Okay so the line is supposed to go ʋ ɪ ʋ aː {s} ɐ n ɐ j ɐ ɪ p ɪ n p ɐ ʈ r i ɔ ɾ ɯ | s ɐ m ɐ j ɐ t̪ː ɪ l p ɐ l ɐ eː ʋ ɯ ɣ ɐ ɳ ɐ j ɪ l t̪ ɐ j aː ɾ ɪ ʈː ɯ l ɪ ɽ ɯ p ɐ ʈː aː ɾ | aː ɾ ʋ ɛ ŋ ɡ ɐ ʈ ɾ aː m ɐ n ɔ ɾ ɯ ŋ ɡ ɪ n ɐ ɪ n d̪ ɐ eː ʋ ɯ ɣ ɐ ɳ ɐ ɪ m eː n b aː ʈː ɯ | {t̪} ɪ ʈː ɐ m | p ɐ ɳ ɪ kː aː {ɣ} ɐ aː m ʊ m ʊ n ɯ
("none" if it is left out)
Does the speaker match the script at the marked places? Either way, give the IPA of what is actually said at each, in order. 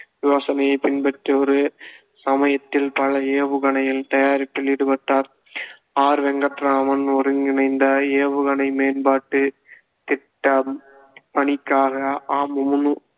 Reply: s, t̪, ɣ

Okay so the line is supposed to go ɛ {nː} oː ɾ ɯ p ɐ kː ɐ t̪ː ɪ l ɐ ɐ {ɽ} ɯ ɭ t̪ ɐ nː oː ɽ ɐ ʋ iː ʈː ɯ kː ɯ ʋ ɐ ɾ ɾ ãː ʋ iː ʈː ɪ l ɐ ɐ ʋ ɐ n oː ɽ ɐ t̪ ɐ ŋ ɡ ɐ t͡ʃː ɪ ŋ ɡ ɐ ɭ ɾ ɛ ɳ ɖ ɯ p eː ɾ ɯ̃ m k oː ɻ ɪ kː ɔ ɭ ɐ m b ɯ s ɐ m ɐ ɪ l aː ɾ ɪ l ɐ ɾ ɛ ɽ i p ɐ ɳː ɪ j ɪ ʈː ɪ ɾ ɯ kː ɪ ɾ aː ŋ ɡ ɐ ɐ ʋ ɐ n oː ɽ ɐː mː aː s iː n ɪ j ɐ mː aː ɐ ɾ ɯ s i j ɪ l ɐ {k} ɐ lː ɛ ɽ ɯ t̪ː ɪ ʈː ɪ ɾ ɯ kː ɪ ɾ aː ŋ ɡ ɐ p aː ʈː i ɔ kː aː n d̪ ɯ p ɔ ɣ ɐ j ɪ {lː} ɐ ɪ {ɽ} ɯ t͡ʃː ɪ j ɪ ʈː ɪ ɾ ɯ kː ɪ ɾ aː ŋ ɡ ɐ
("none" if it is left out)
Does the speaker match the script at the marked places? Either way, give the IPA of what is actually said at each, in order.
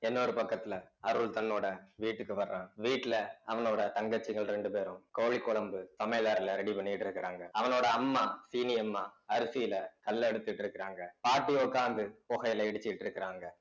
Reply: nː, ɾ, k, l, ɽ

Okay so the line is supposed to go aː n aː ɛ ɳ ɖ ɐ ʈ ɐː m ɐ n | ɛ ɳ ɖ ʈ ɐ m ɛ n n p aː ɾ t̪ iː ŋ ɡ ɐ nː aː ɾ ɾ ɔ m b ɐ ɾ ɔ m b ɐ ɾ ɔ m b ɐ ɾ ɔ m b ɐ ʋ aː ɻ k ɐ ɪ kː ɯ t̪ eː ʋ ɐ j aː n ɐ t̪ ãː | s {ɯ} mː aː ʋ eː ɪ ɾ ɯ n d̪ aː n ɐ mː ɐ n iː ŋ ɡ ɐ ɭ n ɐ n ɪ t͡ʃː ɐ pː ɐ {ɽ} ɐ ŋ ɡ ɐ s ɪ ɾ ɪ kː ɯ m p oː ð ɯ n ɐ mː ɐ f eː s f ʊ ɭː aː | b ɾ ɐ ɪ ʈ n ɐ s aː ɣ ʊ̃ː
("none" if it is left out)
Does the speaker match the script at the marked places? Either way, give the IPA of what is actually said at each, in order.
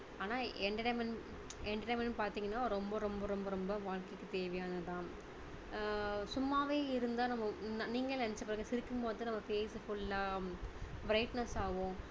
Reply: ʊ, ɾ

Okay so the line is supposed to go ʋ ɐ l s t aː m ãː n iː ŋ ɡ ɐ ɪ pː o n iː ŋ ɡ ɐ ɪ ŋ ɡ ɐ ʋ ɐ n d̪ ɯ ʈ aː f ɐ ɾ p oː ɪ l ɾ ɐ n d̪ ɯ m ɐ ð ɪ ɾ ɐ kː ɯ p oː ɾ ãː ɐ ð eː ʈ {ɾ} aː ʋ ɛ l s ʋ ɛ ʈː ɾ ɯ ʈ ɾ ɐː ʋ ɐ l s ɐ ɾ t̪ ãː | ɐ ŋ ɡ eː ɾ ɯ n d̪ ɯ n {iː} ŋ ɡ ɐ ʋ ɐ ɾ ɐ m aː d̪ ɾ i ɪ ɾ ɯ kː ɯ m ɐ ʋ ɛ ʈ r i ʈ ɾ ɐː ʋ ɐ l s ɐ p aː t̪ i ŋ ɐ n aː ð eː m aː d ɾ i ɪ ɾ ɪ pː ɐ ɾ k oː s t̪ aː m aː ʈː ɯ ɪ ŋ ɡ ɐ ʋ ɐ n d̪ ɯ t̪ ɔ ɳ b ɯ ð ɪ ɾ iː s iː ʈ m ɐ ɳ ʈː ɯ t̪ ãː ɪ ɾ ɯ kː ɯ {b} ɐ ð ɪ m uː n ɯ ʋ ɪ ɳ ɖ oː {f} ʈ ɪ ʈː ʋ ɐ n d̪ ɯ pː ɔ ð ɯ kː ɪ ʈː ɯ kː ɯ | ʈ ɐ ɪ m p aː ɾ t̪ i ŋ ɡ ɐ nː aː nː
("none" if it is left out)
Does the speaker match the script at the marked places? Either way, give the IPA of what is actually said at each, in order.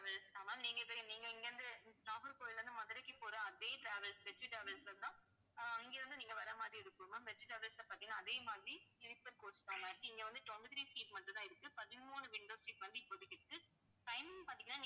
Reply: ɾ, iː, p, s

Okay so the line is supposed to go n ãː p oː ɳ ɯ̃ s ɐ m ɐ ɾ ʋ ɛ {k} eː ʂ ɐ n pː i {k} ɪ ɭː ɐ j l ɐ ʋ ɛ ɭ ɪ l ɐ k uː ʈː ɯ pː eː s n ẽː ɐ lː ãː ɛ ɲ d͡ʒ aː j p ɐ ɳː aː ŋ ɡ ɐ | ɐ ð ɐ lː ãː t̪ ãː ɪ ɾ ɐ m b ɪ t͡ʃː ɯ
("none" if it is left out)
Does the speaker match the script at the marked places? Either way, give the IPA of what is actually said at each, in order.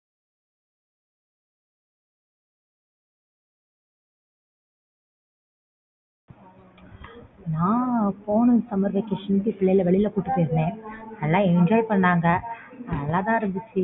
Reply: k, p

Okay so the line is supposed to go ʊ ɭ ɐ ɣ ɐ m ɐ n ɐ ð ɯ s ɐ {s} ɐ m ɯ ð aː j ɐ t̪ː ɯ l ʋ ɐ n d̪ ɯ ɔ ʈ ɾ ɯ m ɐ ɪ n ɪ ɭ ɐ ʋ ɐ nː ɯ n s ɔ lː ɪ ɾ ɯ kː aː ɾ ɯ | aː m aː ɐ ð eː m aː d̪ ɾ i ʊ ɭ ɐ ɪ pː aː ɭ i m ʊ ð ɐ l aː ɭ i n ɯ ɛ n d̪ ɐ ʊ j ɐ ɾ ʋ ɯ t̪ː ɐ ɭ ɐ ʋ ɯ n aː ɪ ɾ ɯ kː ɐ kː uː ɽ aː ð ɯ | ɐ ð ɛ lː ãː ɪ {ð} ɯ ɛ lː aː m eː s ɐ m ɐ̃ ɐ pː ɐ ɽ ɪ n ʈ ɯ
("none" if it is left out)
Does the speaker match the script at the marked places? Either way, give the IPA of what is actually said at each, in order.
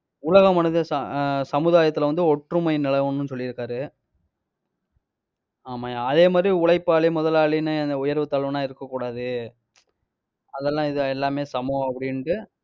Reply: s, ð

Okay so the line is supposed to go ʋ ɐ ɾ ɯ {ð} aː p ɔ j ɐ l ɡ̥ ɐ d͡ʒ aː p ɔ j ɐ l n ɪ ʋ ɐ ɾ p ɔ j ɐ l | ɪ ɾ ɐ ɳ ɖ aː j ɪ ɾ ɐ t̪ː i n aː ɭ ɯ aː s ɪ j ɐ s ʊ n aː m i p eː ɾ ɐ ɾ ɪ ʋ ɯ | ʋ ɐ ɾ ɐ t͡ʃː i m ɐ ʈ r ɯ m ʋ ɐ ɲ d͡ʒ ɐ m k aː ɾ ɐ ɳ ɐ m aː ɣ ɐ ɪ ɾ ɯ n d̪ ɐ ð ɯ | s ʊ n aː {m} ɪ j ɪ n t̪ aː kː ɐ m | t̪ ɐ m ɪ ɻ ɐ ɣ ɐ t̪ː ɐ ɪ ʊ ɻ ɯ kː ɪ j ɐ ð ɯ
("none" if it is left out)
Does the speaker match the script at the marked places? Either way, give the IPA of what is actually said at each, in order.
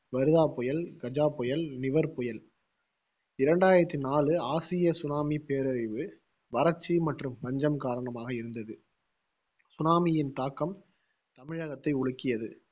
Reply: ð, m

